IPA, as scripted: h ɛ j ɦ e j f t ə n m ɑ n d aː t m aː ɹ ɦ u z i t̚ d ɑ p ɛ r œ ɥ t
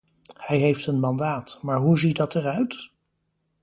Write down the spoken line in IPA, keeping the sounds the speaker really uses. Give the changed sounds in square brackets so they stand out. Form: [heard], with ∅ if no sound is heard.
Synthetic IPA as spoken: h ɛ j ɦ e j f t ə n m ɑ n d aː t m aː ɹ ɦ u z i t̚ d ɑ [t] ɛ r œ ɥ t